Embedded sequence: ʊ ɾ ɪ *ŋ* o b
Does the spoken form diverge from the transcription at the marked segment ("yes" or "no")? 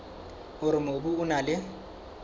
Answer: yes